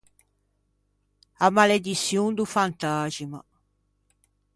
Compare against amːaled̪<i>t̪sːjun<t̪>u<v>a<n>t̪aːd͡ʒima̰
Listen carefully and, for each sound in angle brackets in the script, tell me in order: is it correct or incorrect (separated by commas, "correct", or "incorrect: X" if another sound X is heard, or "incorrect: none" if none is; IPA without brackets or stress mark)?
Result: correct, incorrect: d̪, incorrect: f, correct